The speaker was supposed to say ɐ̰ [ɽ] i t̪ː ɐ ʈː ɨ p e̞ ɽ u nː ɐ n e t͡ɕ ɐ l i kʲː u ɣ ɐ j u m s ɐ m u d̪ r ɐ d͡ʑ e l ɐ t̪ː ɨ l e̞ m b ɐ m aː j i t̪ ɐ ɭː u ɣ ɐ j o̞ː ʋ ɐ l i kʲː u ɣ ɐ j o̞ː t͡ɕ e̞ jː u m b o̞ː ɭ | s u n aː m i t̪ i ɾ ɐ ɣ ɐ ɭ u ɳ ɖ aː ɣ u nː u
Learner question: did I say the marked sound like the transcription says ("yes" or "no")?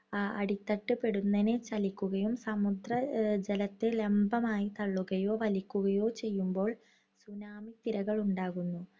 yes